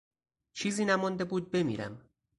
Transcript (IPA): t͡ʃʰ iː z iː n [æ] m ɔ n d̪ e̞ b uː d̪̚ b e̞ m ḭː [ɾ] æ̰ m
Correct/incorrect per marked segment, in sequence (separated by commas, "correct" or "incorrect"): correct, correct